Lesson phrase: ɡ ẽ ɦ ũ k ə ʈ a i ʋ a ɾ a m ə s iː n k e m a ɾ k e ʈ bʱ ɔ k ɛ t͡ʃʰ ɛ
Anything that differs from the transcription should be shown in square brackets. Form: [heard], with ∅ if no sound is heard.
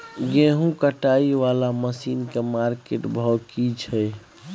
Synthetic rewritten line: ɡ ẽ ɦ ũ k ə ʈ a i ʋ a [l] a m ə s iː n k e m a ɾ k e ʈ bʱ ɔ k [i] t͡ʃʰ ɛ